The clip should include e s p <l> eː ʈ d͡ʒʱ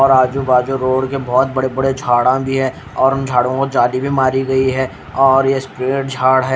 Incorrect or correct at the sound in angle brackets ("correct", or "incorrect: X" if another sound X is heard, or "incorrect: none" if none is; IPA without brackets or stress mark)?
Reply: incorrect: ɾ